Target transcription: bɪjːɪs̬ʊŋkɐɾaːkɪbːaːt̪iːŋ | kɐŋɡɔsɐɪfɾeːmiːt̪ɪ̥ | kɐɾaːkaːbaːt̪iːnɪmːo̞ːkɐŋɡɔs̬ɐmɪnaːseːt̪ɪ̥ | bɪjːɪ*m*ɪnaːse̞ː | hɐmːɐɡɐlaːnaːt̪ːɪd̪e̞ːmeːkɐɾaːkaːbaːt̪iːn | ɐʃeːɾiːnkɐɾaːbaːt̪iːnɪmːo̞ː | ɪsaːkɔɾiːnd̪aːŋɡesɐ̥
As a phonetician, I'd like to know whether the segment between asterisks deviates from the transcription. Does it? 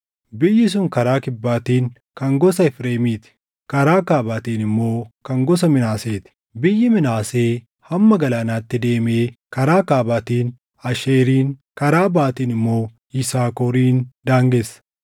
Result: no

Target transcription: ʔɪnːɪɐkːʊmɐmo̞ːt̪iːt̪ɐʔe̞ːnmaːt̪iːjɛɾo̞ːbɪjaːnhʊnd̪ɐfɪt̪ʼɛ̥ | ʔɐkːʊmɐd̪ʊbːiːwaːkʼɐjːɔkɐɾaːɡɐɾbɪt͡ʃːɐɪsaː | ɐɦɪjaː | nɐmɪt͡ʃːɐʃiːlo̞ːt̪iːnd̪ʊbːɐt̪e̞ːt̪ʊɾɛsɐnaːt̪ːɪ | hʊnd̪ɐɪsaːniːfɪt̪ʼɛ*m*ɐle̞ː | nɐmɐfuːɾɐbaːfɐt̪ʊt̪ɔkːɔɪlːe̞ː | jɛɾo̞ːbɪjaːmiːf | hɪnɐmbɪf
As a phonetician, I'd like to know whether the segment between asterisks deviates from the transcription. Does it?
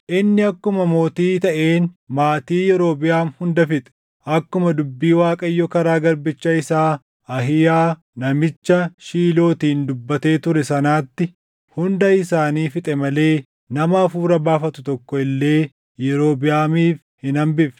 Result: no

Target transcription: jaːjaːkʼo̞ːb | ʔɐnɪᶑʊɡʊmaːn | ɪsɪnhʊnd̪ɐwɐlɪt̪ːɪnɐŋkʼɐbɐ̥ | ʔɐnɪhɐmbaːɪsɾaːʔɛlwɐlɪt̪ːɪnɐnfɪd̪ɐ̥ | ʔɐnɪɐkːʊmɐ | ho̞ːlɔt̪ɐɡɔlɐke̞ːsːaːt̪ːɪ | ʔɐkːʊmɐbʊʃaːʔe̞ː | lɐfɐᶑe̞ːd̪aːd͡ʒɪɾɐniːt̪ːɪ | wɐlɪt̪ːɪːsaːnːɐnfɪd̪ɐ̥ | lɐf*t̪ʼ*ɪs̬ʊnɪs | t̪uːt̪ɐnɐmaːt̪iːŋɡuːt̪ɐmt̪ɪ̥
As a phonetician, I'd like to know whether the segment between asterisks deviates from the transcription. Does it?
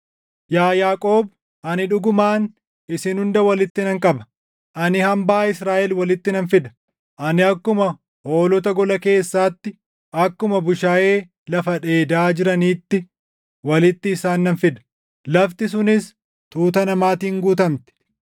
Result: yes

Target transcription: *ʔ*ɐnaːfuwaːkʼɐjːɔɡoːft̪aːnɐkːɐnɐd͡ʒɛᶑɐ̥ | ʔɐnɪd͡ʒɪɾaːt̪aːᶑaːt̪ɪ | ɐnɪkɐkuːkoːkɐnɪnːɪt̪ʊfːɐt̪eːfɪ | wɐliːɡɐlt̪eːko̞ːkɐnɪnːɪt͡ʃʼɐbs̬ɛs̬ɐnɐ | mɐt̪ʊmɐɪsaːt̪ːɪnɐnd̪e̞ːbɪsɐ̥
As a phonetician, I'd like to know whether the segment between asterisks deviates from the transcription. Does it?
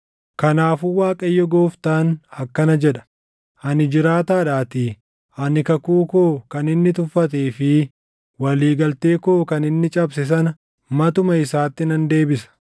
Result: yes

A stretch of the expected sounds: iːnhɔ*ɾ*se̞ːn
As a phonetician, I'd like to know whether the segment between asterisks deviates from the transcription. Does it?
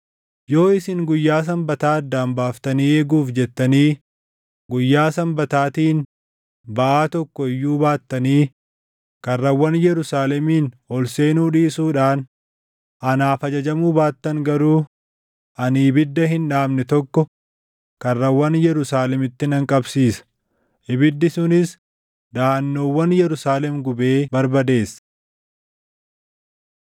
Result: yes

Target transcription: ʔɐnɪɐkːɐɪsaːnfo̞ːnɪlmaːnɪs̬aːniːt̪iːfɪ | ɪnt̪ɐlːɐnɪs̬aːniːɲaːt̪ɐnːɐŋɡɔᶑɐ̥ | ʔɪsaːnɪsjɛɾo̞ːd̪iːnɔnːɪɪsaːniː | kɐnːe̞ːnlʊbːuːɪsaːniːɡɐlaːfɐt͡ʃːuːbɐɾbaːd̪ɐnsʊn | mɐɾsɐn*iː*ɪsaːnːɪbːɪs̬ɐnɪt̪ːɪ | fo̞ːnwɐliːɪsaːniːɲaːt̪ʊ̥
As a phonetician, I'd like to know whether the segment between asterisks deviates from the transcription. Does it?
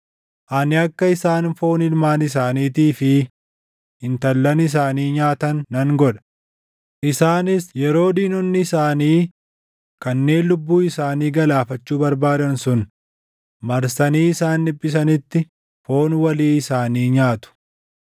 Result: no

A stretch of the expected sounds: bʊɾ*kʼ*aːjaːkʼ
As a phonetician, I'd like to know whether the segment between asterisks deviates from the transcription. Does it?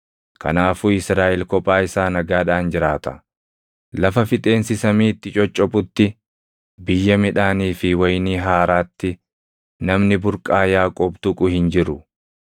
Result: no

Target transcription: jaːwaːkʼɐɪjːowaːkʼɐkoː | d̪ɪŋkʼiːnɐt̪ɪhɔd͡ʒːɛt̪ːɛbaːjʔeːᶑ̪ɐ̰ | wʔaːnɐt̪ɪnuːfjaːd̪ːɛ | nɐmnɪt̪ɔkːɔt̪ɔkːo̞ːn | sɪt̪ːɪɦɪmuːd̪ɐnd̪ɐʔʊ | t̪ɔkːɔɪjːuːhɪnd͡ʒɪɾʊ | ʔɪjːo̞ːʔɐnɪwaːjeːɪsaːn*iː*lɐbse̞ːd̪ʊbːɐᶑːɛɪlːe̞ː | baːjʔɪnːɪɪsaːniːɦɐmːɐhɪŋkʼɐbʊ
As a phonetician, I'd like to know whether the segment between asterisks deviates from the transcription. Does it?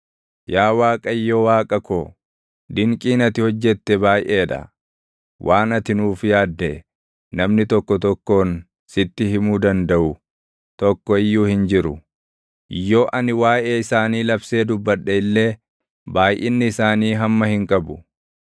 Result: no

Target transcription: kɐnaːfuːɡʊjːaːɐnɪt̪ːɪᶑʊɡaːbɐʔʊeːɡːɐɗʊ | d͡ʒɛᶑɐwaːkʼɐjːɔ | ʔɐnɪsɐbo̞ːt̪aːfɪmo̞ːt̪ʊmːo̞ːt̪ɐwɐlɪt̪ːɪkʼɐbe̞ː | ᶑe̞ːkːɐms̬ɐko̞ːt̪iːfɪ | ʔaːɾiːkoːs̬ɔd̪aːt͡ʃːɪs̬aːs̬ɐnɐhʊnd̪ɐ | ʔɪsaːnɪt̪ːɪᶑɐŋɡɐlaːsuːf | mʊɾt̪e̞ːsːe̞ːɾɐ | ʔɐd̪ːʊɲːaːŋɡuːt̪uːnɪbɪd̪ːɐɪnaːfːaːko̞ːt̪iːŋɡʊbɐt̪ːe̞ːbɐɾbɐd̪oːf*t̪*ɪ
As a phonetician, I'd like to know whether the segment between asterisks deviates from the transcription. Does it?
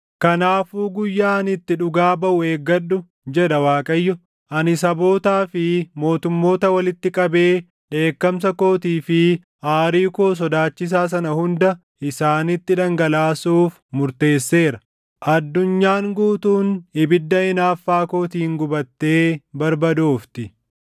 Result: no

